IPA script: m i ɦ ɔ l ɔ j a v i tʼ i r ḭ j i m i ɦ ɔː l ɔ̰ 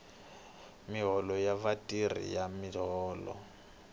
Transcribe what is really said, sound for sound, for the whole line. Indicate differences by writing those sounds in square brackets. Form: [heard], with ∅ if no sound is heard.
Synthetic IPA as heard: m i ɦ ɔ l ɔ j a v [a] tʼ i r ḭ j [a] m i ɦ ɔː l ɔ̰